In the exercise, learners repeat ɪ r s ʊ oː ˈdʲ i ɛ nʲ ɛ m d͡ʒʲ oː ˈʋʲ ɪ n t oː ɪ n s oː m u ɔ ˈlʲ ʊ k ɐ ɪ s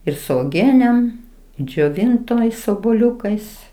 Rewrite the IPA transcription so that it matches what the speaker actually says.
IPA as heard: ɪ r s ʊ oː ˈɡʲ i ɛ nʲ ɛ m d͡ʒʲ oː ˈʋʲ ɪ n t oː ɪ s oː b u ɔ ˈlʲ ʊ k ɐ ɪ s